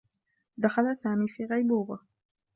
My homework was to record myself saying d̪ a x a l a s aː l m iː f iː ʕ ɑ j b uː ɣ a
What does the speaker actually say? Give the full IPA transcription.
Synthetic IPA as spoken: d̪ a x a l a s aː m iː f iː ɣ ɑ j b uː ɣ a